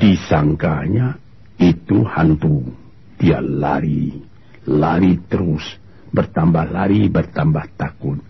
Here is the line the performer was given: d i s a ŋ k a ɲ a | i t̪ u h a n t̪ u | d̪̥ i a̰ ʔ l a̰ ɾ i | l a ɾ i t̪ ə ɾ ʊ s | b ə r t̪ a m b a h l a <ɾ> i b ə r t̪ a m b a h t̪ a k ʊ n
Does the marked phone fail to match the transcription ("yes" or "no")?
no